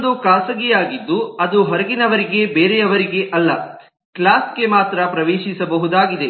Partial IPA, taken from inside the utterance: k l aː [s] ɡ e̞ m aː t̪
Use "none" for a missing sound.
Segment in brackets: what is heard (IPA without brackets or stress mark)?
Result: s